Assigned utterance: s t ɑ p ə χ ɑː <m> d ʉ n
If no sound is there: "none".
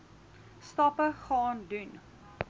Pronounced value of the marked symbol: n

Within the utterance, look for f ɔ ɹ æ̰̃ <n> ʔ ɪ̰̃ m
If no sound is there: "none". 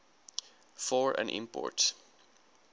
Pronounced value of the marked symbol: n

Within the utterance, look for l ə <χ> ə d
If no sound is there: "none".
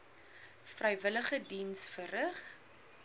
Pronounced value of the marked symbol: χ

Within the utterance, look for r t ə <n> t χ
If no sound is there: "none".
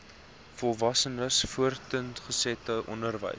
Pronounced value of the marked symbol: n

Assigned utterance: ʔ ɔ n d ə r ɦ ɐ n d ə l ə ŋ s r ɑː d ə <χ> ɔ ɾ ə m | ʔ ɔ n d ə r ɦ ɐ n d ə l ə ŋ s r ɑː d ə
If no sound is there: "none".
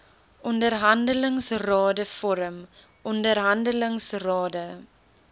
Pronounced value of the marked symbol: f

